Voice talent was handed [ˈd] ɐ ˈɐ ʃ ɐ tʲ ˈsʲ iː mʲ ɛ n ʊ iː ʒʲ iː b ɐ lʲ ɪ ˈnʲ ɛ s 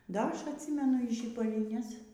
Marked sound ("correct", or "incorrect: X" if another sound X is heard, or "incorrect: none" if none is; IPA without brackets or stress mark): correct